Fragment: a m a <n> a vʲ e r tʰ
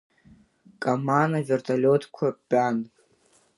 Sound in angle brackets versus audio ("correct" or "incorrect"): correct